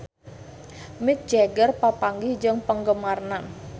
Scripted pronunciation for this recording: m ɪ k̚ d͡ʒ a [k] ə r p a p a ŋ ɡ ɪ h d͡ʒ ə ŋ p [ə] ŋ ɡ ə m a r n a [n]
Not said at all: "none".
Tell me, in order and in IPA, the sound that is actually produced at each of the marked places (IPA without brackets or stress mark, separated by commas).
ɡ, ə, n